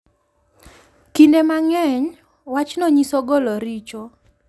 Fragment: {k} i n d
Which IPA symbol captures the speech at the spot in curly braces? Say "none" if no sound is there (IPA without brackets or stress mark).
k